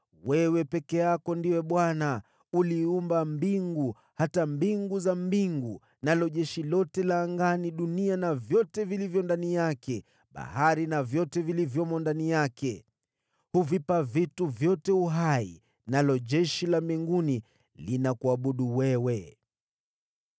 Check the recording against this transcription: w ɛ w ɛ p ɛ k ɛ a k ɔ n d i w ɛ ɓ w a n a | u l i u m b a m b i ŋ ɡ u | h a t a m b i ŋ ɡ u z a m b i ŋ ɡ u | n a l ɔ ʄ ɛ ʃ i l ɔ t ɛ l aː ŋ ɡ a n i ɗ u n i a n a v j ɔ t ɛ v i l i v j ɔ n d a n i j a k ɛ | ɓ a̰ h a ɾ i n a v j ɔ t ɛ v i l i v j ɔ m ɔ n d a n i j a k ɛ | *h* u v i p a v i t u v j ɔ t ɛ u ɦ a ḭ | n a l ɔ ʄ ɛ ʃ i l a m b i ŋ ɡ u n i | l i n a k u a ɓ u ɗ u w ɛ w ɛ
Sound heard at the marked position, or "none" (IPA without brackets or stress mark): h